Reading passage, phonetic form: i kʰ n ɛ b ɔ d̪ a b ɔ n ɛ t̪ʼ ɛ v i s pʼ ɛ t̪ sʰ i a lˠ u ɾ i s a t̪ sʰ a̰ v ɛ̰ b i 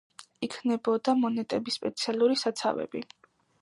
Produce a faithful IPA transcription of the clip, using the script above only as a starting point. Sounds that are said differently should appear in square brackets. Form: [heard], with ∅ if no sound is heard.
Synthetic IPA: i kʰ n ɛ b ɔ d̪ a [m] ɔ n ɛ t̪ʼ ɛ [b] i s pʼ ɛ t̪ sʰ i a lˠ u ɾ i s a t̪ sʰ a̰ v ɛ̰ b i